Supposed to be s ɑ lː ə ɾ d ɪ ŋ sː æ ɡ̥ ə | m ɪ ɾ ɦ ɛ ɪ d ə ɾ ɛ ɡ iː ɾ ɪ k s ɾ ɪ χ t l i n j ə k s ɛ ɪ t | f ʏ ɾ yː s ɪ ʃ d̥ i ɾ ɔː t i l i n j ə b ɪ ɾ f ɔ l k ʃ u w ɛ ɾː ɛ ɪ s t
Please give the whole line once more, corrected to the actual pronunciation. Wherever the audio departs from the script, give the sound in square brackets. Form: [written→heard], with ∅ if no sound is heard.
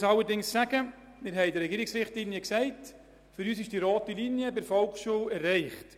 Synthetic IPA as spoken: s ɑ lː ə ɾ d ɪ ŋ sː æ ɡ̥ ə | m ɪ ɾ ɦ ɛ ɪ d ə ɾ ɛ ɡ iː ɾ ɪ k s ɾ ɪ χ t l i n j ə k s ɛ ɪ t | f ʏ ɾ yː s ɪ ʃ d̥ i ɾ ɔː t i l i n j ə b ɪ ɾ f ɔ l k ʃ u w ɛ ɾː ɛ ɪ [s→χ] t